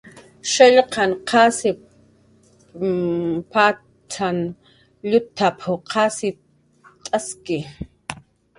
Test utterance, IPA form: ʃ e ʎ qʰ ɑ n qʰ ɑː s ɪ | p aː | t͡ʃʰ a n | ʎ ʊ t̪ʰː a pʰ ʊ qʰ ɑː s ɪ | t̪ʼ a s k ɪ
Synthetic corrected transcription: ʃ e ʎ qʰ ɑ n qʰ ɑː s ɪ | p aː | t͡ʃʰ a n | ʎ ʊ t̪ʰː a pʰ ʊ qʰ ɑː s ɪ | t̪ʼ a s k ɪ